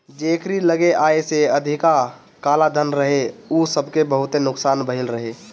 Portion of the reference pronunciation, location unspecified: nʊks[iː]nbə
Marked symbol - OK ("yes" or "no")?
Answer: no